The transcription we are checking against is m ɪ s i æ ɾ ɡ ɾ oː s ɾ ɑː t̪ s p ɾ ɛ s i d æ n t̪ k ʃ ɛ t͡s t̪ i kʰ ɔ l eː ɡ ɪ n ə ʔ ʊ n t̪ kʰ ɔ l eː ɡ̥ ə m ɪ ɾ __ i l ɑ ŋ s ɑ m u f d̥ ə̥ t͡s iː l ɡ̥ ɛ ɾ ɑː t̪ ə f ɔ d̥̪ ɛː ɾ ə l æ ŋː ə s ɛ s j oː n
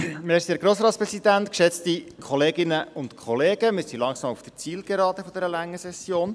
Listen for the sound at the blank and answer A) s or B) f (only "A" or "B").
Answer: A